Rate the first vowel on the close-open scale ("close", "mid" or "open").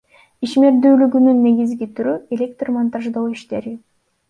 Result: close